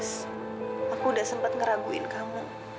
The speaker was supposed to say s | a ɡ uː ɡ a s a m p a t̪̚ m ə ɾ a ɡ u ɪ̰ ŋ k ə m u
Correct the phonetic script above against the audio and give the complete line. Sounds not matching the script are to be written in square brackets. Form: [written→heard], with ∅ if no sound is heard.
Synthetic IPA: s | a [ɡ→k] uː [ɡ→d] a s [a→ə] m p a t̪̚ [m→ŋ] ə ɾ a ɡ u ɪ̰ [ŋ→n] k [ə→a] m u